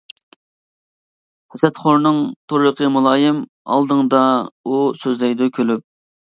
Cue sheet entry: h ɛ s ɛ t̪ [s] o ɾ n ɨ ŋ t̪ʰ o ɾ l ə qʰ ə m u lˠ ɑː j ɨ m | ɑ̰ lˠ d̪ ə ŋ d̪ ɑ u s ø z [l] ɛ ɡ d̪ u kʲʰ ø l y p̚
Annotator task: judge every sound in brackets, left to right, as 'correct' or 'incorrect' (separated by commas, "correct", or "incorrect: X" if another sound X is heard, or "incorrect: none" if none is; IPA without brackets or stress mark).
incorrect: χ, correct